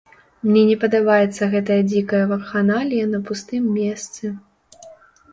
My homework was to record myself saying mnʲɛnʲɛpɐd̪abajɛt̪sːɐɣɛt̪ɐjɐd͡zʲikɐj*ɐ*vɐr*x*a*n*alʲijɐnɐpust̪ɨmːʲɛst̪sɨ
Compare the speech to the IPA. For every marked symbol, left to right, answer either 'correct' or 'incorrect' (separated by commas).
correct, correct, correct